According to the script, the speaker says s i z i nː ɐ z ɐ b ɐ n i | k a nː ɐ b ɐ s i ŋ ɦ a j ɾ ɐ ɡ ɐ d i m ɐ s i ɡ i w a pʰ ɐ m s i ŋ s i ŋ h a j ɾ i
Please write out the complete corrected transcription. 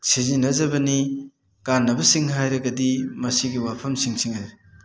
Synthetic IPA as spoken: s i z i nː ɐ z ɐ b ɐ n i | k a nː ɐ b ɐ s i ŋ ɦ a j ɾ ɐ ɡ ɐ d i m ɐ s i ɡ i w a pʰ ɐ m s i ŋ s i ŋ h a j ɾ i